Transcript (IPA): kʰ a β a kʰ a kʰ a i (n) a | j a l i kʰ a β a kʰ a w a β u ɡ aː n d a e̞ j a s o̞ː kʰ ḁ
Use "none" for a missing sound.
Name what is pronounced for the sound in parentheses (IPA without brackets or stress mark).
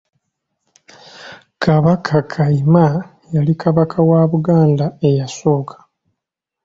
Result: m